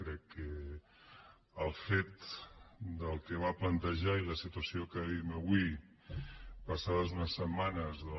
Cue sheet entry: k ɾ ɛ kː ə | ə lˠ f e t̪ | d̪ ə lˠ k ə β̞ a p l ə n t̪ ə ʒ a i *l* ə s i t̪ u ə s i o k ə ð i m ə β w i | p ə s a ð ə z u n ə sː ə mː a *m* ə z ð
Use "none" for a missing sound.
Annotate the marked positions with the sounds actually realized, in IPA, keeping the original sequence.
l, n

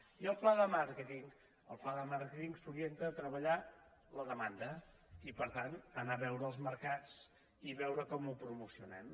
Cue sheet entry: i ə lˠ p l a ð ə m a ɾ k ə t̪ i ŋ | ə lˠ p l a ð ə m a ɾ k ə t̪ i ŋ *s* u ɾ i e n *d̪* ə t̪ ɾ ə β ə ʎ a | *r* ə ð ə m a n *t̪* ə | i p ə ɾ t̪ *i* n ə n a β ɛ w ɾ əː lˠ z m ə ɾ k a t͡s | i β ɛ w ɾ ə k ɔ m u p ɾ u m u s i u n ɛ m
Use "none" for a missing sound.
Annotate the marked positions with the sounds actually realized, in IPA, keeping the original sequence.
s, t̪, l, d̪, a

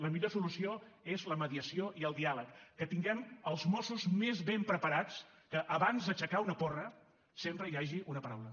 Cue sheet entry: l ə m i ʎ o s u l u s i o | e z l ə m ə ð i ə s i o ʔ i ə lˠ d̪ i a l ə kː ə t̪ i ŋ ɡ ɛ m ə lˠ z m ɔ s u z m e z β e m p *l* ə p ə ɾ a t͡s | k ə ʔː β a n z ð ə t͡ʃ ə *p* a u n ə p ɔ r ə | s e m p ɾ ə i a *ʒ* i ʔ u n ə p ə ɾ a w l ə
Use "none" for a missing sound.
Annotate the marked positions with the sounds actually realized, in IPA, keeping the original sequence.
ɾ, k, ʒ

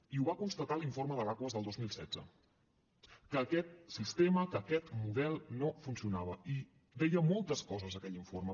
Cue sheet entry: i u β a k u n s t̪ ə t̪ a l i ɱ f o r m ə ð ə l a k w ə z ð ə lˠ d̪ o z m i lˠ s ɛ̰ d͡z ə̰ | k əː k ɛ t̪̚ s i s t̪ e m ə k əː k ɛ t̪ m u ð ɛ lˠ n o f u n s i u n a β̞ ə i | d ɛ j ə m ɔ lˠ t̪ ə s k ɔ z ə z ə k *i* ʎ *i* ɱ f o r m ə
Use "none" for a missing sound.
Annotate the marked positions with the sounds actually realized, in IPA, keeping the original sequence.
ɛ, i

